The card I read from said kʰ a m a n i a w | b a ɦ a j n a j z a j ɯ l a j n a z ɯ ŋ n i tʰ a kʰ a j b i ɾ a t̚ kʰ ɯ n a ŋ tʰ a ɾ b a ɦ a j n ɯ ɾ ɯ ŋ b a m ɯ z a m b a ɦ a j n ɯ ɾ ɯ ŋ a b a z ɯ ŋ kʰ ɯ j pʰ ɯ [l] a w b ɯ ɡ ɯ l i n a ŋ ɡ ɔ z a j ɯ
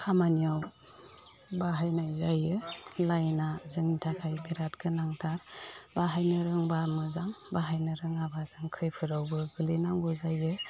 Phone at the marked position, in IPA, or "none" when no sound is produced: ɾ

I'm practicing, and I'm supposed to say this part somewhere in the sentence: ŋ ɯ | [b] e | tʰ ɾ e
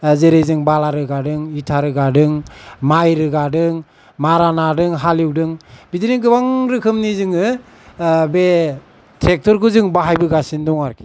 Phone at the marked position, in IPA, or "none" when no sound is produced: b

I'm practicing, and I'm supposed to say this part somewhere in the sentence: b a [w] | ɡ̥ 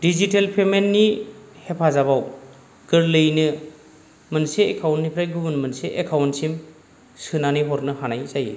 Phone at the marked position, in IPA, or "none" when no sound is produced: w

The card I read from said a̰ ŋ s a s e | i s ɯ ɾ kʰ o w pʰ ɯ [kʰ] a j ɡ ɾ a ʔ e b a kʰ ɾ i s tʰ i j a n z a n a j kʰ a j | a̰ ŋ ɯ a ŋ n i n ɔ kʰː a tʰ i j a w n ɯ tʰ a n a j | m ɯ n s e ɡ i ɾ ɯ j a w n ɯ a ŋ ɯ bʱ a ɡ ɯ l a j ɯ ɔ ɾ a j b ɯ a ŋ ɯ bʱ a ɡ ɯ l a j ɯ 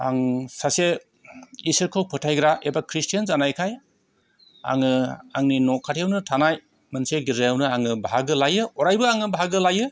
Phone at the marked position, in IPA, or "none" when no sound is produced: tʰ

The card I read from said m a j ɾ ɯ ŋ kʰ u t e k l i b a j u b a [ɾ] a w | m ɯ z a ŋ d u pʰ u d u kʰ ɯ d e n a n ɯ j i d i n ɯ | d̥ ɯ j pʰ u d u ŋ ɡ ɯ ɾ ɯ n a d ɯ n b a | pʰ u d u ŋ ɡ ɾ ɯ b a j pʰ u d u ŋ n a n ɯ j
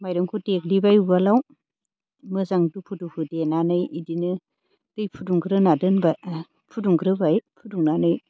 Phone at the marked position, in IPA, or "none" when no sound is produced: l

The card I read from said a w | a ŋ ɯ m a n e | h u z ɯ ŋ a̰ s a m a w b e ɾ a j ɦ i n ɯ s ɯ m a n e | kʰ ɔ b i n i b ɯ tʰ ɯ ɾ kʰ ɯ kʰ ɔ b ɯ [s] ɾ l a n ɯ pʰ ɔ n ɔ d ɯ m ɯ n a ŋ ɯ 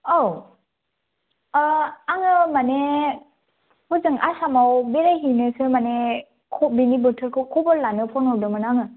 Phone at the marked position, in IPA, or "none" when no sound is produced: none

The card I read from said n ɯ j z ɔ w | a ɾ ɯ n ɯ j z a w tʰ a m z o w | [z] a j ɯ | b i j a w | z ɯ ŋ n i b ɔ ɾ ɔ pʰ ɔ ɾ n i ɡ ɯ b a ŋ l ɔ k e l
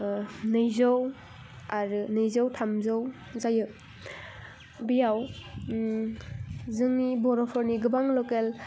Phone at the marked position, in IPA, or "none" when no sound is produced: z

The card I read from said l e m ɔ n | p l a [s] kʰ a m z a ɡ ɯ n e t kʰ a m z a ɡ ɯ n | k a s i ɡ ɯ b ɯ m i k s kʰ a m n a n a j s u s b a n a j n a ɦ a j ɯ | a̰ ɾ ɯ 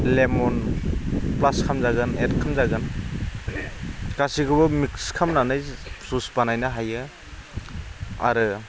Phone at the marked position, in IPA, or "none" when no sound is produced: s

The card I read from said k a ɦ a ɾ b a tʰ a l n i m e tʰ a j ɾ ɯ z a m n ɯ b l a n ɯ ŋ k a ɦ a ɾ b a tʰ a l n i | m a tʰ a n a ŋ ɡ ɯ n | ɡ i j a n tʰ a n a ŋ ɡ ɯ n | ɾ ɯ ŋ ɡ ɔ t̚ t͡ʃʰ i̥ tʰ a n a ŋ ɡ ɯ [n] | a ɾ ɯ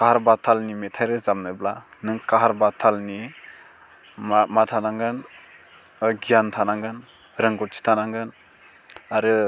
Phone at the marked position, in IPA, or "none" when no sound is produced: n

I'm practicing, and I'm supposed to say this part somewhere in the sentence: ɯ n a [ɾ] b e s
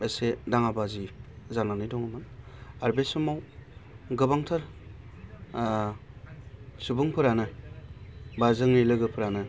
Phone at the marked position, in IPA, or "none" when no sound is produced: ɾ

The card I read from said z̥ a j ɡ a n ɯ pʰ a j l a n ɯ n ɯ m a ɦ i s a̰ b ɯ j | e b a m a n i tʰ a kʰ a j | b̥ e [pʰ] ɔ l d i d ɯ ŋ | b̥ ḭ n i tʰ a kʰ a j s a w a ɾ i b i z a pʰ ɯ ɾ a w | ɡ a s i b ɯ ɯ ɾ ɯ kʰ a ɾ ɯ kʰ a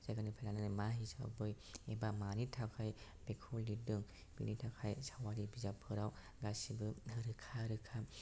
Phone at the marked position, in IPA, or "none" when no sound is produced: kʰ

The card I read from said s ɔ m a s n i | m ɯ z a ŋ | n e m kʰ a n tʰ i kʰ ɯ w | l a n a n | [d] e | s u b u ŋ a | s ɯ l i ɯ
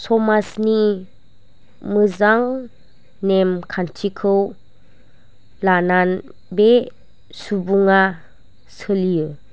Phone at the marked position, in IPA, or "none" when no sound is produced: b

